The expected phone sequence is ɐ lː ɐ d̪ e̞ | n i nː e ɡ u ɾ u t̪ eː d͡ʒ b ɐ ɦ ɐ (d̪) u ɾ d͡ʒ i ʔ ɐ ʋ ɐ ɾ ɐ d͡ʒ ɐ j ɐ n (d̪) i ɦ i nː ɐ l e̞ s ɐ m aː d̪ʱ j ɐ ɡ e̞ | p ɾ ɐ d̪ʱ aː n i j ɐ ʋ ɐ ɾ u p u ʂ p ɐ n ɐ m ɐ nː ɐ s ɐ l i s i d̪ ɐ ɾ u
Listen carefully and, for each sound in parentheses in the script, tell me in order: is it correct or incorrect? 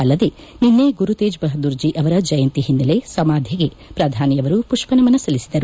correct, incorrect

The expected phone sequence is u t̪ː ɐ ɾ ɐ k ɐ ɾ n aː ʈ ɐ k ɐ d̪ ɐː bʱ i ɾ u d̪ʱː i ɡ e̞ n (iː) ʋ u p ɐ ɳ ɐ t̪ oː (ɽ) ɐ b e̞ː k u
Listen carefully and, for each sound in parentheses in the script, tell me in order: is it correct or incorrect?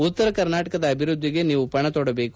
correct, correct

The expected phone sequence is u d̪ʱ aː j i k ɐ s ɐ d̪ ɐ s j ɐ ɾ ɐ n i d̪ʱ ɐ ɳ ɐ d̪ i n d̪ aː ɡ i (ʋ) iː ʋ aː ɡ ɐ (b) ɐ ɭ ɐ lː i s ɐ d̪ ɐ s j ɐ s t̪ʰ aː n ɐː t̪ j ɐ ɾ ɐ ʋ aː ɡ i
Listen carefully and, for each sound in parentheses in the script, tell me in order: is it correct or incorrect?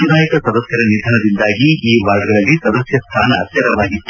incorrect, incorrect

